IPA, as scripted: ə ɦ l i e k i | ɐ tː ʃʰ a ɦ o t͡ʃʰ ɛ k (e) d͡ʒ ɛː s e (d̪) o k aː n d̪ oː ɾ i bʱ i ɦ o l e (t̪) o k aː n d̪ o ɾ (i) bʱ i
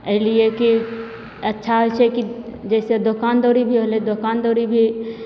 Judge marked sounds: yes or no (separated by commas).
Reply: no, yes, no, yes